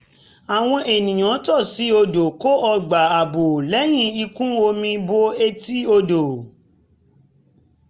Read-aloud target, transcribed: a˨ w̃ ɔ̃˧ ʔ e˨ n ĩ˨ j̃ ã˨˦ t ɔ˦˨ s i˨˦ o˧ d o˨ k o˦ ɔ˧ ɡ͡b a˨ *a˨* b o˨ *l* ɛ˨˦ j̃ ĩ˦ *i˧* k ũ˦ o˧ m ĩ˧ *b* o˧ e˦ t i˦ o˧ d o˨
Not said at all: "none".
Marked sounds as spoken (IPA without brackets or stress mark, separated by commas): a˨, l, i˧, b